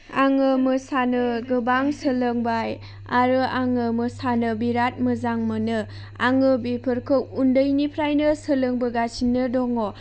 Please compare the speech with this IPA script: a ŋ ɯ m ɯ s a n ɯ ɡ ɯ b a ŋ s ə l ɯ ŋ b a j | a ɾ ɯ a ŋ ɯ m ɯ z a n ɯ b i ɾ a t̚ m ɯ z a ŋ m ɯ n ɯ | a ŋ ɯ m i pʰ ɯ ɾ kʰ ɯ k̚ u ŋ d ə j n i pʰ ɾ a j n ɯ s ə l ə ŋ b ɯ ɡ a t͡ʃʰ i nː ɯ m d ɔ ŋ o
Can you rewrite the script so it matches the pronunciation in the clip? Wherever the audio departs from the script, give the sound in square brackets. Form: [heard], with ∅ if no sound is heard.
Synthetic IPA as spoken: a ŋ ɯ m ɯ s a n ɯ ɡ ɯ b a ŋ s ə l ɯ ŋ b a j | a ɾ ɯ a ŋ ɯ m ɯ [s] a n ɯ b i ɾ a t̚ m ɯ z a ŋ m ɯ n ɯ | a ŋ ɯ [b] i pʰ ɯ ɾ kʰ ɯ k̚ u [n] d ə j n i pʰ ɾ a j n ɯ s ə l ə ŋ b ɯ ɡ a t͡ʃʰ i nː ɯ [∅] d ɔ ŋ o